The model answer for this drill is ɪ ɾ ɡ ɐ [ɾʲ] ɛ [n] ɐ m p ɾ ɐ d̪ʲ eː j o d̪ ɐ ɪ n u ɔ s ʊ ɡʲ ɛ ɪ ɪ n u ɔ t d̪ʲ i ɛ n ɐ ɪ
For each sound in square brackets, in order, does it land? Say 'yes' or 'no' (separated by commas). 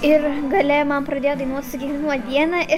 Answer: no, no